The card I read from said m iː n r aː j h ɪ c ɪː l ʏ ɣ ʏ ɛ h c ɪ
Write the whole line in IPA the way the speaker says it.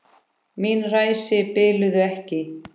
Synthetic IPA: m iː n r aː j s ɪ p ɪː l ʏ ð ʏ ɛ h c ɪ